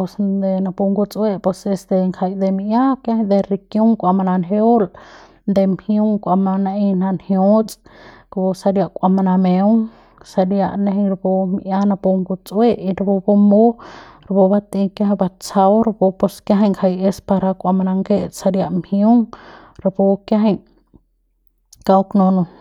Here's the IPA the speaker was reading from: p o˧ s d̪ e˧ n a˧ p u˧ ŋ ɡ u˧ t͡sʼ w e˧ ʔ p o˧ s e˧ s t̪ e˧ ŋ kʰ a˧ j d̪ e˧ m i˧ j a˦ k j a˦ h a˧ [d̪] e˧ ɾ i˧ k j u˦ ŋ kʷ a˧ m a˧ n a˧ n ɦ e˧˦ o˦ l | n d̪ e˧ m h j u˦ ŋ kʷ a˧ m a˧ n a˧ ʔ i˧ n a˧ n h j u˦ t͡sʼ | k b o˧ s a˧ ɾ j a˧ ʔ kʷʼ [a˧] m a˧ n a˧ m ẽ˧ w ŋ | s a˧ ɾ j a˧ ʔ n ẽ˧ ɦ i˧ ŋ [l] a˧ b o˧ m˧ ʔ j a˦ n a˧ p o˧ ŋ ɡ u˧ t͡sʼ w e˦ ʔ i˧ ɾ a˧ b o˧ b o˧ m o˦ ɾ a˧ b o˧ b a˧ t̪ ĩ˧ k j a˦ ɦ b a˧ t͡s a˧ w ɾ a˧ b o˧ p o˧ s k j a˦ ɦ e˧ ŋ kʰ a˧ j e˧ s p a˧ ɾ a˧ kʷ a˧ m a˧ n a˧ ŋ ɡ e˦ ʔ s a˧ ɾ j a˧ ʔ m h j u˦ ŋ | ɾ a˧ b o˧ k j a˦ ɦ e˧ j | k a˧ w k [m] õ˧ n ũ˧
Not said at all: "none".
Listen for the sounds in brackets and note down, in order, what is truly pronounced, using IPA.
d̪, a˧, ɾ, n

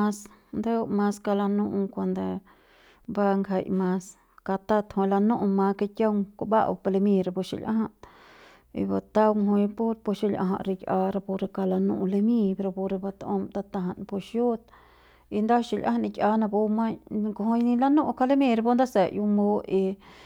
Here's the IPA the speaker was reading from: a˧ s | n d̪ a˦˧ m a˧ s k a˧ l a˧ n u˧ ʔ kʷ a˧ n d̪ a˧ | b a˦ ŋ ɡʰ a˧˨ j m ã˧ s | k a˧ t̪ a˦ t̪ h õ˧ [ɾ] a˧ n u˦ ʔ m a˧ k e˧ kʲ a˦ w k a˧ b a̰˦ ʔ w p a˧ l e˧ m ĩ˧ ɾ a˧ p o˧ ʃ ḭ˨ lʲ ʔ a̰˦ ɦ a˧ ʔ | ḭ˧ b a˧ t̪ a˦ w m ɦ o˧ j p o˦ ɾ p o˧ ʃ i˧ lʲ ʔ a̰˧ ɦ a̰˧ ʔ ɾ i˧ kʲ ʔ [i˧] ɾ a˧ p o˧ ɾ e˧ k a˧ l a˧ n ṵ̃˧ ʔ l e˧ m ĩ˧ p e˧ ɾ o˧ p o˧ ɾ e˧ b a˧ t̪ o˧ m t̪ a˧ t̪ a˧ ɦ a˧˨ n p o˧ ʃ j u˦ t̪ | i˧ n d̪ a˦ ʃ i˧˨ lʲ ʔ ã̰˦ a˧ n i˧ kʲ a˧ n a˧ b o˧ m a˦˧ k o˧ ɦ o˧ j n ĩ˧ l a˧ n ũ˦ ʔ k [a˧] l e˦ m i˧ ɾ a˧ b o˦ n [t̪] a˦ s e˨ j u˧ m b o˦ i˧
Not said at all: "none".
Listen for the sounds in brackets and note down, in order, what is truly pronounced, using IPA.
l, a˧, a˧, d̪

